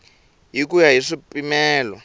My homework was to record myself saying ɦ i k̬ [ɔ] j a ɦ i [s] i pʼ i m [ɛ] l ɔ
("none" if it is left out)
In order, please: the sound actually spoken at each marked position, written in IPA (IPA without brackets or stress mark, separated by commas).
u, ʂ, ɛː